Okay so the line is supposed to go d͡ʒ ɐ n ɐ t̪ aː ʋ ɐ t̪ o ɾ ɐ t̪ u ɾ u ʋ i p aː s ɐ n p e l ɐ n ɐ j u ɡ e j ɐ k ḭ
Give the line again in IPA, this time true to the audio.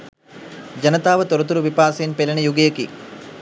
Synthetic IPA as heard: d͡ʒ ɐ n ɐ t̪ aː ʋ ɐ t̪ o ɾ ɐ t̪ u ɾ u ʋ i p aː s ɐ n p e l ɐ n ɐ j u ɡ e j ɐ k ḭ